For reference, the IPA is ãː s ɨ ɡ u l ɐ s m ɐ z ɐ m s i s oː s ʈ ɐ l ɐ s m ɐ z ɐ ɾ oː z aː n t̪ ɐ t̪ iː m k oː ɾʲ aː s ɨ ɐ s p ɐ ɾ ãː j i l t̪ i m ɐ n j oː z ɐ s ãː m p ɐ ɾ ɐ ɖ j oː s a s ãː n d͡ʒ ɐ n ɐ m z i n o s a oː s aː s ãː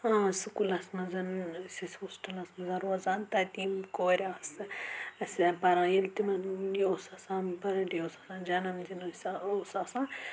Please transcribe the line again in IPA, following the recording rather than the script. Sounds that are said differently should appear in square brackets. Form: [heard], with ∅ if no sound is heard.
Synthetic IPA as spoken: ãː s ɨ [k] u l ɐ s m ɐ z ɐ [n] s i s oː s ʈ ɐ l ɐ s m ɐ z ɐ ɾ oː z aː n t̪ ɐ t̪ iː m k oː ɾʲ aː s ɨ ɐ s p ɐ ɾ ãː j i l t̪ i m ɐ n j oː [s] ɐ s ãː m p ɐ ɾ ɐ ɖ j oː s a s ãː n d͡ʒ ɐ n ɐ m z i n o s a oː s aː s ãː